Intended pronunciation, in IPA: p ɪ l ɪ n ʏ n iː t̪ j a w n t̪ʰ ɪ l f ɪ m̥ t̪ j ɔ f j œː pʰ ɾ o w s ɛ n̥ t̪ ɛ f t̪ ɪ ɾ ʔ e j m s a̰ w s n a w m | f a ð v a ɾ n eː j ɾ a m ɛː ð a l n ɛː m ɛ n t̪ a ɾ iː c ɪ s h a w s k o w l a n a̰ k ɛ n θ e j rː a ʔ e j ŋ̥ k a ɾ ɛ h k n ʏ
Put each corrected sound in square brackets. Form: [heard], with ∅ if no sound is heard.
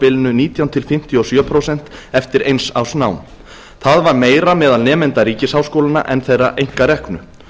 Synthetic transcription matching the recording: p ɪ l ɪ n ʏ n iː t̪ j a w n t̪ʰ ɪ l f ɪ m̥ t̪ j ɔ [s] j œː pʰ ɾ o w s ɛ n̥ t̪ ɛ f t̪ ɪ ɾ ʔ e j [n] s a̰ w s n a w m | [θ] a ð v a ɾ [m] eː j ɾ a m ɛː ð a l n ɛː m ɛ n t̪ a ɾ iː c ɪ s h a w s k o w l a n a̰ [ʔ] ɛ n θ e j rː a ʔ e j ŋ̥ k a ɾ ɛ h k n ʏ